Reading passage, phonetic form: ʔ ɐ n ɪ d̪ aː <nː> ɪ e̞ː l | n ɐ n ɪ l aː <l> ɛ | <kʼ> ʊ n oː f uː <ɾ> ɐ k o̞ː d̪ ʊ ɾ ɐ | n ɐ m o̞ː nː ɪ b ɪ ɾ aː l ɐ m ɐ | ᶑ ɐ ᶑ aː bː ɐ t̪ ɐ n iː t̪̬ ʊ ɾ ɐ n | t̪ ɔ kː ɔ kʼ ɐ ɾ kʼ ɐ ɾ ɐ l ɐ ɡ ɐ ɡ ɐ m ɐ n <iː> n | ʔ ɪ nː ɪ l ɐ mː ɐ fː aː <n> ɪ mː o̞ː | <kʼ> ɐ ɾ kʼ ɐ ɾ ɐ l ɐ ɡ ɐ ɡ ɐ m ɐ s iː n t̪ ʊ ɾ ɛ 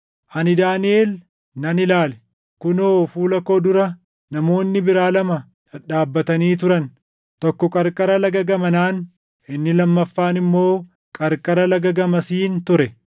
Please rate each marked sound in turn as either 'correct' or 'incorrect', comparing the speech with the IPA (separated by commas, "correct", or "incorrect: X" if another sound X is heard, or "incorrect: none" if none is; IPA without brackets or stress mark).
incorrect: n, correct, incorrect: k, incorrect: l, incorrect: aː, correct, correct